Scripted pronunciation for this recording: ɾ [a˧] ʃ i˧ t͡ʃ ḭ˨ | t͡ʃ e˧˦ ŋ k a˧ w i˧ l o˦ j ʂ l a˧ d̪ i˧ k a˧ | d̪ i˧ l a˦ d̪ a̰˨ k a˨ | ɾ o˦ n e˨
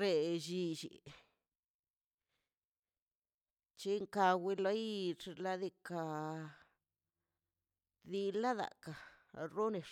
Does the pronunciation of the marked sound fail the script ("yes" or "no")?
yes